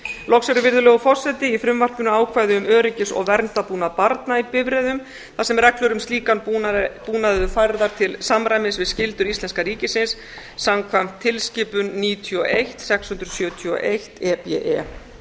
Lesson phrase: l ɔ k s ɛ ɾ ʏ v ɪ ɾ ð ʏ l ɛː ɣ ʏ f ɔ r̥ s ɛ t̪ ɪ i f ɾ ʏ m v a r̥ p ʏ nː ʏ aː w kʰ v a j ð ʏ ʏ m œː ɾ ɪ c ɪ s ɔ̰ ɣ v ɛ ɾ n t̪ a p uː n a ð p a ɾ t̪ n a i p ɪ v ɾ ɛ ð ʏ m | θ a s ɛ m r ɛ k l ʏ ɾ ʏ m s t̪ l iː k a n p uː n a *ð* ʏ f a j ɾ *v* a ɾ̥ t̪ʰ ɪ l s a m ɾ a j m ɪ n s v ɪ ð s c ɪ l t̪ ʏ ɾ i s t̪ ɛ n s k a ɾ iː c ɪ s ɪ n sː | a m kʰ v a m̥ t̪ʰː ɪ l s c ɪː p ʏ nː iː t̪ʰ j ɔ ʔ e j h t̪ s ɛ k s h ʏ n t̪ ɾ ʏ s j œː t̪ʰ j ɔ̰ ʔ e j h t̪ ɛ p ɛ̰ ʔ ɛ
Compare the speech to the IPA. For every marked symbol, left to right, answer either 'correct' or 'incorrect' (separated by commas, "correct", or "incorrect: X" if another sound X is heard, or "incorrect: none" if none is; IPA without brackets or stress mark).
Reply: correct, incorrect: ð